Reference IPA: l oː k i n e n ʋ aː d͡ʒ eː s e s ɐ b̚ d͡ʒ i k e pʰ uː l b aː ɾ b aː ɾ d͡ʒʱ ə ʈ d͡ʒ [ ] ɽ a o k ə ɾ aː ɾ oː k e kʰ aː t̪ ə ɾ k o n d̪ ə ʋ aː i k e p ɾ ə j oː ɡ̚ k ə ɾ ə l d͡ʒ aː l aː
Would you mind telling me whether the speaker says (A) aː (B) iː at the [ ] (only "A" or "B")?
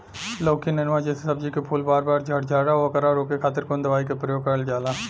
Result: A